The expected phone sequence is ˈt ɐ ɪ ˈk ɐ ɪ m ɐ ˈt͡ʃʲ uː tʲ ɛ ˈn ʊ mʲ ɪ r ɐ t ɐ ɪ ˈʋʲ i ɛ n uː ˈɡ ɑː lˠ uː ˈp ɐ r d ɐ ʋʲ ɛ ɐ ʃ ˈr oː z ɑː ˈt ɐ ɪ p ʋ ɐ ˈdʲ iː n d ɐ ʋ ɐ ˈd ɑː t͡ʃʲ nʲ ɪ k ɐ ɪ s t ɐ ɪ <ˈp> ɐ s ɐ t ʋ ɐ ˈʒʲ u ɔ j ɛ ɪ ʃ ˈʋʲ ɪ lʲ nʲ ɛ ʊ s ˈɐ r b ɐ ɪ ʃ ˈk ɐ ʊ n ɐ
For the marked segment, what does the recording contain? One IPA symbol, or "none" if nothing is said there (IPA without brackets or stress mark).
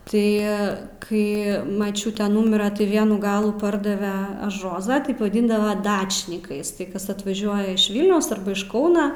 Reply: k